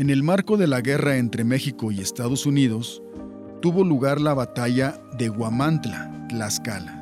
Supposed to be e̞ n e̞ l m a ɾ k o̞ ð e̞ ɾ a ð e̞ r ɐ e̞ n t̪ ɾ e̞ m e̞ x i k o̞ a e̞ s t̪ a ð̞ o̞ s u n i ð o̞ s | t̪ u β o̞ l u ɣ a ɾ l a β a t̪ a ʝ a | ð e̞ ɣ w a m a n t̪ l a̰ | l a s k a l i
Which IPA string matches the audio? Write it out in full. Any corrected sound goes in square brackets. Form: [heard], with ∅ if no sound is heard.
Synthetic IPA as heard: e̞ n e̞ l m a ɾ k o̞ ð e̞ [l] a [ɣ] e̞ r [a] e̞ n t̪ ɾ e̞ m e̞ x i k o̞ [i] e̞ s t̪ a ð̞ o̞ s u n i ð o̞ s | t̪ u β o̞ l u ɣ a ɾ l a β a t̪ a ʝ a | ð e̞ ɣ w a m a n t̪ l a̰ | l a s k a l [a]